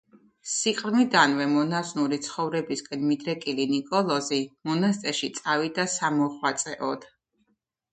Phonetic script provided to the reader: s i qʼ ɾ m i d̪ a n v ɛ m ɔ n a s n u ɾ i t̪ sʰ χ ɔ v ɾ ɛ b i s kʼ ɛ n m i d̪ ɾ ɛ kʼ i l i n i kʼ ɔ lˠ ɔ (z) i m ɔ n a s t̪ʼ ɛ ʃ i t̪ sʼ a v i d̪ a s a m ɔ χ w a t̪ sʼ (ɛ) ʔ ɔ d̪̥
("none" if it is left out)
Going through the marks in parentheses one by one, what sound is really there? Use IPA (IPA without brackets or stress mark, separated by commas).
z, ɛ